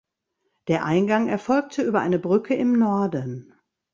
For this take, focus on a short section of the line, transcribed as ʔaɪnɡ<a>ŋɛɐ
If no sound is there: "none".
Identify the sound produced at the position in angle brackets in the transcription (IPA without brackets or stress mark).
a